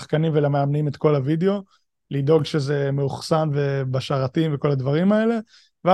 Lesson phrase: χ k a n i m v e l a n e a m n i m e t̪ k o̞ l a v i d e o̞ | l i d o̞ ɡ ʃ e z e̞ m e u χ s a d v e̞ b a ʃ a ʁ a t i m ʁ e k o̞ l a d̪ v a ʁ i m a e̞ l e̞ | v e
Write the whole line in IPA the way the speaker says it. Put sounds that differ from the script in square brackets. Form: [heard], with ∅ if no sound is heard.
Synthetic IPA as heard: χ k a n i m v e l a [m] e a m n i m e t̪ k o̞ l a v i d e o̞ | l i d o̞ ɡ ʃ e z e̞ m e u χ s a [n] v e̞ b a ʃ a ʁ a t i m [v] e k o̞ l a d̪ v a ʁ i m a e̞ l e̞ | v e